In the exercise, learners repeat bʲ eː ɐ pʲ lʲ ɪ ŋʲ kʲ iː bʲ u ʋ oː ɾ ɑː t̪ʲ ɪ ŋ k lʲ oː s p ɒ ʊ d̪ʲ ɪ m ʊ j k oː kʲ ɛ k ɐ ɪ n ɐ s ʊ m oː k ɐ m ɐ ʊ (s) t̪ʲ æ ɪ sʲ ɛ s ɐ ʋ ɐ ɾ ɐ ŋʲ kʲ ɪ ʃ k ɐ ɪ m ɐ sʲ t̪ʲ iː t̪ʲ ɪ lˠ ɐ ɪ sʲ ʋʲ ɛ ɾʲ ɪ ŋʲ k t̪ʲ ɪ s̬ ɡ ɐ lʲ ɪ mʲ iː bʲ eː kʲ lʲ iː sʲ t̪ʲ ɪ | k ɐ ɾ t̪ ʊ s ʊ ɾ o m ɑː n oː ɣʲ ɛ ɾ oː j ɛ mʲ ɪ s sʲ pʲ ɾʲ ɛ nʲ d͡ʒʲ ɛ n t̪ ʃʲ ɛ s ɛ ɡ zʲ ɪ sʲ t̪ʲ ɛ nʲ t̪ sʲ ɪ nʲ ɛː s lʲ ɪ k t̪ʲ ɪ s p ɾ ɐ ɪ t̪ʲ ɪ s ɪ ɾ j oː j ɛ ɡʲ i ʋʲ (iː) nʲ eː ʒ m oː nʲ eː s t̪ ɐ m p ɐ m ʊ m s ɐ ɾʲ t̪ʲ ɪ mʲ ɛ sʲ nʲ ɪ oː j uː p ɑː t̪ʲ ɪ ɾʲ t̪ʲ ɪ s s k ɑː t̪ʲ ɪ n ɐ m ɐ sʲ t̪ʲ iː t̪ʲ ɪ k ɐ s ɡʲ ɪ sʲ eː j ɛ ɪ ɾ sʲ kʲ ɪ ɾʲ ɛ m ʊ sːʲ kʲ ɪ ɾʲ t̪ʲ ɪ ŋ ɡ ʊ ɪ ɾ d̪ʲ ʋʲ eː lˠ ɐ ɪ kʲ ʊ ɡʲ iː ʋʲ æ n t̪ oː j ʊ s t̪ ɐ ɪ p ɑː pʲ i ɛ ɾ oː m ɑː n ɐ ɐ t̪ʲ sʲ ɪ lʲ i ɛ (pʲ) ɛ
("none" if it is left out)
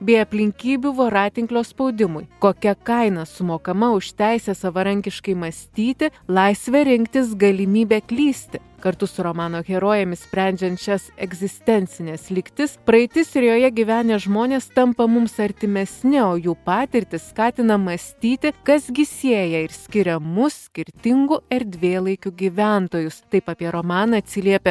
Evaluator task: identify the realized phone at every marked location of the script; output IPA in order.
ʃ, æː, pʲ

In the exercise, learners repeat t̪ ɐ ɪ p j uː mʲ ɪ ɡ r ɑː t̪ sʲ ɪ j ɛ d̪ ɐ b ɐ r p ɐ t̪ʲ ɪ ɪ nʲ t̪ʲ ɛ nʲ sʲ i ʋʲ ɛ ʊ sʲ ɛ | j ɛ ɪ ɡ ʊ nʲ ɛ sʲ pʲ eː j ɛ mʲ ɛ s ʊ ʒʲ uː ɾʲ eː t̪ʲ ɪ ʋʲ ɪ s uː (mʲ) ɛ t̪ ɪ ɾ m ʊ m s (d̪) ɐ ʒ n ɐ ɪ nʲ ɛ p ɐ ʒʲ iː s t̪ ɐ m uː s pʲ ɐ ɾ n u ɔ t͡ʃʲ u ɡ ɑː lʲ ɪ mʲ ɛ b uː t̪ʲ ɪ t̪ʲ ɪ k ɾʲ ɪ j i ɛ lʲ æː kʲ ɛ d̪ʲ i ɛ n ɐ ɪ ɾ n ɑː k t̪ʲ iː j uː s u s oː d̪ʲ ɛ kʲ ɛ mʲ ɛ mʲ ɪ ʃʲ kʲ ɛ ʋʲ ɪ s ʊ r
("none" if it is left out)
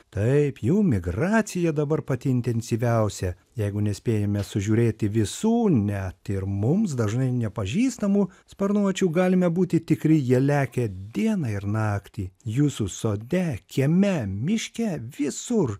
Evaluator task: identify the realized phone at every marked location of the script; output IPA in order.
nʲ, d̪

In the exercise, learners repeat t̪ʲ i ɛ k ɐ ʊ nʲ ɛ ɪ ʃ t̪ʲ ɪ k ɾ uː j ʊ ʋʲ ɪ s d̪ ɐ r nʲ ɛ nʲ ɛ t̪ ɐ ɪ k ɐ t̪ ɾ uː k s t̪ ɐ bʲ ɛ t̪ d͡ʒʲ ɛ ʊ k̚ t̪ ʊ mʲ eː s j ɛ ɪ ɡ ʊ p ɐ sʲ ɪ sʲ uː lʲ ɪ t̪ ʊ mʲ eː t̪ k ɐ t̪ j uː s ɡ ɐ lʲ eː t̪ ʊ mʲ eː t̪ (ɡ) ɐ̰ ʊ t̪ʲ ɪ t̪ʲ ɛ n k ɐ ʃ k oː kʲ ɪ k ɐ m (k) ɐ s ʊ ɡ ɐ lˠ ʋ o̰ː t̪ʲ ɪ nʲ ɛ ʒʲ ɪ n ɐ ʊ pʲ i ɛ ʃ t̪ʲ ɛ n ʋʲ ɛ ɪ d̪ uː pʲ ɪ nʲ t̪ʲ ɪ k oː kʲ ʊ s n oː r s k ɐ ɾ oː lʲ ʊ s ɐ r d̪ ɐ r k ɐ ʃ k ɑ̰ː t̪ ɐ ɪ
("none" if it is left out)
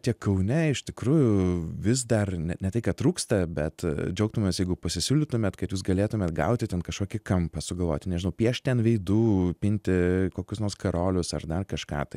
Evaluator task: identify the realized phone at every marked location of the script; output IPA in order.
ɡ, p

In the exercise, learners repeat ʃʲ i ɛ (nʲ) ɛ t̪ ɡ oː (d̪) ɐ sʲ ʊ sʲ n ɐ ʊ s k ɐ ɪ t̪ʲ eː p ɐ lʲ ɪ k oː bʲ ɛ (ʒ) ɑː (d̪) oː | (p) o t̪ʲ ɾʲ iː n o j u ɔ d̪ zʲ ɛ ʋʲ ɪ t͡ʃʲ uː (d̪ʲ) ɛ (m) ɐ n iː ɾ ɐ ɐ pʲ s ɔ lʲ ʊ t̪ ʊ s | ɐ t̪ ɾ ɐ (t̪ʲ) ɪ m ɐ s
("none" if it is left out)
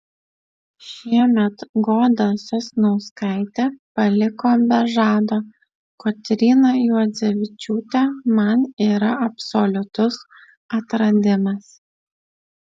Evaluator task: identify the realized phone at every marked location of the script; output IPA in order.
mʲ, d̪, ʒ, d̪, k, t̪ʲ, m, d̪ʲ

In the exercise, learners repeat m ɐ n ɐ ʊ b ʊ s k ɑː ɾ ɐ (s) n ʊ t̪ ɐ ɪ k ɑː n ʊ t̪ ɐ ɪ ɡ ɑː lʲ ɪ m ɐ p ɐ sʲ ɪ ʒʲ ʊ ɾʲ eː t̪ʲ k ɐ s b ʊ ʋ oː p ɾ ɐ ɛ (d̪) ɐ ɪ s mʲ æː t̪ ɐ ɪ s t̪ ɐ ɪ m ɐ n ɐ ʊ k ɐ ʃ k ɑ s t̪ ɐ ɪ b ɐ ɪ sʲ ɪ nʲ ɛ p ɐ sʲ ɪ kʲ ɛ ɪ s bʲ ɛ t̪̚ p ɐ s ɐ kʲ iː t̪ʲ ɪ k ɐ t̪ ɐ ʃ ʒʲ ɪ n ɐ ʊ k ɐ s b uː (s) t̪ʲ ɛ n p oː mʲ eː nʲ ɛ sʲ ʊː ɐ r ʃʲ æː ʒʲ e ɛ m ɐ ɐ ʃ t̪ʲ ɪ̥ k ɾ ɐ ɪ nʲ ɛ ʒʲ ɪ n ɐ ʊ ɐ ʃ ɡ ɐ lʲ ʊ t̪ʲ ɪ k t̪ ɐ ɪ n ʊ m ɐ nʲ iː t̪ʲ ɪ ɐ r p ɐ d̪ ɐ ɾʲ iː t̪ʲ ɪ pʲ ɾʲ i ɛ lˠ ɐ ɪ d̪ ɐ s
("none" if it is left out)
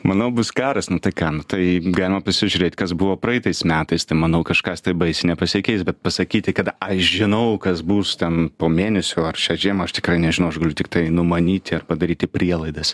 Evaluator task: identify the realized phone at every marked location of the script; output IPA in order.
s, t̪, s

